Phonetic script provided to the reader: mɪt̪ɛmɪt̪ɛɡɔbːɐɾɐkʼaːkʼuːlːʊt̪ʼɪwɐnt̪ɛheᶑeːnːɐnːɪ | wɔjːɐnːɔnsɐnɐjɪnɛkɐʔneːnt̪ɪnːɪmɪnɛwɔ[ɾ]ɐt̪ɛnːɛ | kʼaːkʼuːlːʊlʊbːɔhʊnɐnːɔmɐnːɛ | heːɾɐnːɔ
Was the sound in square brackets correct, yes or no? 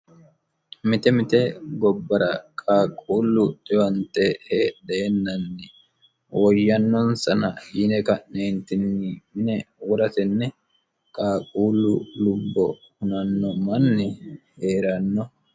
yes